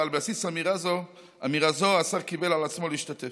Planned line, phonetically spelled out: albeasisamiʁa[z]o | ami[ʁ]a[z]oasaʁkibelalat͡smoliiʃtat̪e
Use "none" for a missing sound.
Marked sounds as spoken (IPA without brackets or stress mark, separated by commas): z, ʁ, z